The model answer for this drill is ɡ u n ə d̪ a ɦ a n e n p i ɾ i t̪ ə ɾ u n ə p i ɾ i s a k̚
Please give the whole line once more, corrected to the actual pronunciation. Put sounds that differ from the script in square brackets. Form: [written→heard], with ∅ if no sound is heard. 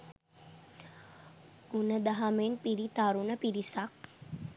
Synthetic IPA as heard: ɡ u n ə d̪ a ɦ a [n→m] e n p i ɾ i t̪ [ə→a] ɾ u n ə p i ɾ i s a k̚

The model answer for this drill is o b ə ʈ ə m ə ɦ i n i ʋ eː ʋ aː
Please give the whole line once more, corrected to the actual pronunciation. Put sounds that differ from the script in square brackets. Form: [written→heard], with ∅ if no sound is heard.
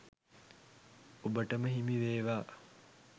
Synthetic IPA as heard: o b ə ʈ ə m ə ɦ i [n→m] i ʋ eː ʋ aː

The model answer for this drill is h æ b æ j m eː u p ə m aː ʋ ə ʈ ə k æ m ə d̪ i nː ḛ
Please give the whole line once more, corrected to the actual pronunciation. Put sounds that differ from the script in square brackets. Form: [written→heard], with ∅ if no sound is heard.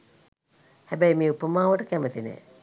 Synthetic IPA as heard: h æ b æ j m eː u p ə m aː ʋ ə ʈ ə k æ m ə [d̪→t̪] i [nː→n] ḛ

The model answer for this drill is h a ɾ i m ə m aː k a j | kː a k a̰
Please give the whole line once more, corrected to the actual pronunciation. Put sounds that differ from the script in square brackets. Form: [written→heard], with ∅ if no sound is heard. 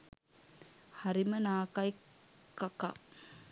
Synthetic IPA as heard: h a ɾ i m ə [m→n] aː k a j | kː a k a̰

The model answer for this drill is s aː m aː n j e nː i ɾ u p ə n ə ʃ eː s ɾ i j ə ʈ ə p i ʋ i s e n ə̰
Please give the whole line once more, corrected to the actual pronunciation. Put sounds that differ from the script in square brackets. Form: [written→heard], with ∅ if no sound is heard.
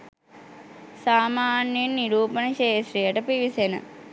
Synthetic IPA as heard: s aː m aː n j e nː i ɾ [u→uː] p ə n ə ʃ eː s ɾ i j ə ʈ ə p i ʋ i s e n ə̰

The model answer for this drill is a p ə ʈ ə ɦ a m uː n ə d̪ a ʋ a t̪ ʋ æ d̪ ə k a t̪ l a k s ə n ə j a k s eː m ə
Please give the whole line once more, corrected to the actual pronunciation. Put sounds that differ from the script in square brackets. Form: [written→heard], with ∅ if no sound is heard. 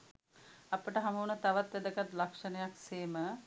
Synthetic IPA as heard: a p ə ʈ ə ɦ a m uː n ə [d̪→t̪] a ʋ a t̪ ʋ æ d̪ ə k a t̪ l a k [s→ʂ] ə n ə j a k s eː m ə

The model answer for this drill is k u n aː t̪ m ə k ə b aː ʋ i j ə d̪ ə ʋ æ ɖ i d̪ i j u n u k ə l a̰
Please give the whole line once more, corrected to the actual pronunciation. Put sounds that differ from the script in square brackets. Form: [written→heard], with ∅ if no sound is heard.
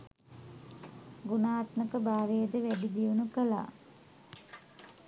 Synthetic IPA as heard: [k→ɡ] u n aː t̪ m ə k ə b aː ʋ [i→e] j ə d̪ ə ʋ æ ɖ i d̪ i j u n u k ə l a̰

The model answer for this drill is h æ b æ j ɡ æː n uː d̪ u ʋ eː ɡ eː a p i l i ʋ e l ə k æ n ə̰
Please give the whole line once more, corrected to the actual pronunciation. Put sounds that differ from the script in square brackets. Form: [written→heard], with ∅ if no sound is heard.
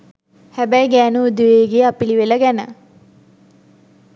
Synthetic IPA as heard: h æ b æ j ɡ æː n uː d̪ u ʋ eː ɡ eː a p i l i ʋ e l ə [k→ɡ] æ n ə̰

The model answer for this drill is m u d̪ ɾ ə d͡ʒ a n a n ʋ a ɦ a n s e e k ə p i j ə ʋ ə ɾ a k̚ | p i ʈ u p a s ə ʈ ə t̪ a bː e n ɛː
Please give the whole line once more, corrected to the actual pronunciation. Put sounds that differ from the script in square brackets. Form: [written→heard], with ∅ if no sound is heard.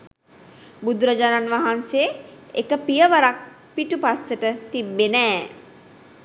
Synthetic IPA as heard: [m→b] u d̪ ɾ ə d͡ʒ a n a n ʋ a ɦ a n s e e k ə p i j ə ʋ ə ɾ a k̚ | p i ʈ u p a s ə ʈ ə t̪ [a→i] bː e n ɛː

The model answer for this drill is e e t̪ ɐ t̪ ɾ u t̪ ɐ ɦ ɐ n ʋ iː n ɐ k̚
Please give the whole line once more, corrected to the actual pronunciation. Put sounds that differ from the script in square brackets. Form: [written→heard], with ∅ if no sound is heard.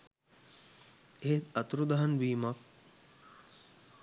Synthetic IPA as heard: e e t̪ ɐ t̪ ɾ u [t̪→d̪] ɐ ɦ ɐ n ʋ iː [n→m] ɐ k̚

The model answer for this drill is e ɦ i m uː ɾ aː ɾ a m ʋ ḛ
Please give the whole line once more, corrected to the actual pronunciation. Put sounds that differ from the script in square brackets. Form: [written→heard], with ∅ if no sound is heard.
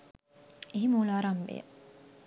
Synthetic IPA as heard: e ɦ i m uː [ɾ→l] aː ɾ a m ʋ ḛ

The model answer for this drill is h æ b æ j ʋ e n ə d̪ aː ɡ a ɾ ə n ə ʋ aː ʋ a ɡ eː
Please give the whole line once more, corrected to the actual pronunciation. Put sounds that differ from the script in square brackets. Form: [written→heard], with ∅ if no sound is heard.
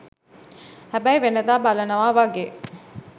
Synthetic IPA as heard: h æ b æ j ʋ e n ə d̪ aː [ɡ→b] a [ɾ→l] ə n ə ʋ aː ʋ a ɡ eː

